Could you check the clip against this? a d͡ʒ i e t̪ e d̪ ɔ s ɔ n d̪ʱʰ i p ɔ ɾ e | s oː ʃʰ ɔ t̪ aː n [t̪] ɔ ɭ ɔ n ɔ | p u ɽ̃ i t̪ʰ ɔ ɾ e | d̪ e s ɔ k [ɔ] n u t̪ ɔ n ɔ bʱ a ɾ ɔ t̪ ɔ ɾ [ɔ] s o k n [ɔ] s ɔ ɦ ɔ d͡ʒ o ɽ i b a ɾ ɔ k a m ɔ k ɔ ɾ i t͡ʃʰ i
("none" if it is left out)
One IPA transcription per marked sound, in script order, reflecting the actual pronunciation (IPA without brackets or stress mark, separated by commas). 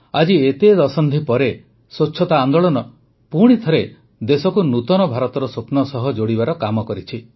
d̪, u, ɔ, ɔ